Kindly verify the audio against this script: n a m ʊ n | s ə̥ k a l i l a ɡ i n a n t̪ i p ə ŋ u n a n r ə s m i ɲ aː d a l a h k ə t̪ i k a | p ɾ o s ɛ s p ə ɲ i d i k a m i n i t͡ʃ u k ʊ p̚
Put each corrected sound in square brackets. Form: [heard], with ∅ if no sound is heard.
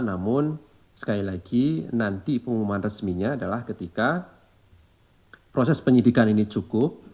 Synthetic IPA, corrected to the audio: n a m ʊ n | s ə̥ k a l i l a ɡ i n a n t̪ i p ə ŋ u [m] a n r ə s m i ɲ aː d a l a h k ə t̪ i k a | p ɾ o s ɛ s p ə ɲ i d i k a [n] i n i t͡ʃ u k ʊ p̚